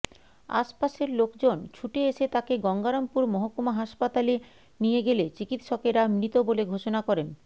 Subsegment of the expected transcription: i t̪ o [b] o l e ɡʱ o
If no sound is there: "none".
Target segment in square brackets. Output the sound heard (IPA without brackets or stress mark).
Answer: b